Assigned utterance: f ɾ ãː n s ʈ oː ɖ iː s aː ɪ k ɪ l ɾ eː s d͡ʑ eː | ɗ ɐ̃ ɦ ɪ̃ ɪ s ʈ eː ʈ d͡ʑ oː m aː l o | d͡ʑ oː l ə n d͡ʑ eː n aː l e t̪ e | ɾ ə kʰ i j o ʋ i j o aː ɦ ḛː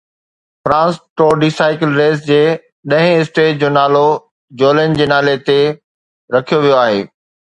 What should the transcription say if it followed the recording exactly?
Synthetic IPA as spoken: f ɾ ãː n s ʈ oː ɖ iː s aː ɪ k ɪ l ɾ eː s d͡ʑ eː | ɗ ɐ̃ ɦ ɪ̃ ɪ s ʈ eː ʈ d͡ʑ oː n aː l o | d͡ʑ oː l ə n d͡ʑ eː n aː l e t̪ e | ɾ ɐ kʰ i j o ʋ i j o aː ɦ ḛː